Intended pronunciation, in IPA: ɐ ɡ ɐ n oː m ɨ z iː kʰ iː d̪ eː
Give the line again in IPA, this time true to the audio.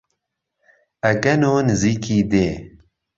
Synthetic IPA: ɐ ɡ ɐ n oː n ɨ z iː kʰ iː d̪ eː

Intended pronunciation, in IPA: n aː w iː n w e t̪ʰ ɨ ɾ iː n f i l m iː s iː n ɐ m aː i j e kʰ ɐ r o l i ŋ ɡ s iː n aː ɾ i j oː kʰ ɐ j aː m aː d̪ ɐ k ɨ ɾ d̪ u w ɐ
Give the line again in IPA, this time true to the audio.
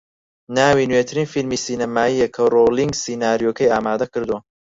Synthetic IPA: n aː w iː n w e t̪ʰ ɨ ɾ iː n f i l m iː s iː n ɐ m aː i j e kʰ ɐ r o l i ŋ ɡ s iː n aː ɾ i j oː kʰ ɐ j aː m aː d̪ ɐ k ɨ ɾ d̪ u w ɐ

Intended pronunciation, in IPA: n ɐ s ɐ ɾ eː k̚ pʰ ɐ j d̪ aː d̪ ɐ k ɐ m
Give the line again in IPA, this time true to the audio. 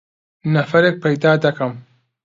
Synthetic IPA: n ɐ f ɐ ɾ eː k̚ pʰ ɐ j d̪ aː d̪ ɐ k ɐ m

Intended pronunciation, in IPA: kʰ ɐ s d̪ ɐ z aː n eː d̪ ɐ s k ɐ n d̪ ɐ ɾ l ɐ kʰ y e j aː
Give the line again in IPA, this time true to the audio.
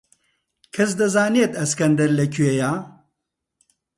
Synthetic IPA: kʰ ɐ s d̪ ɐ z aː n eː t̪ ɐ s k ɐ n d̪ ɐ ɾ l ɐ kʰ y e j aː

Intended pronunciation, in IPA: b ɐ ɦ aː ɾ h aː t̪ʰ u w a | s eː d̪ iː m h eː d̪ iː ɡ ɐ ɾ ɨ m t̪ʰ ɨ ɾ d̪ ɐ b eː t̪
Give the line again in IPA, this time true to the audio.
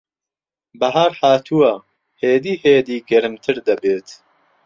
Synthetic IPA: b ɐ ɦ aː ɾ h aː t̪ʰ u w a | h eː d̪ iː h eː d̪ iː ɡ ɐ ɾ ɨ m t̪ʰ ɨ ɾ d̪ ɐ b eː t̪

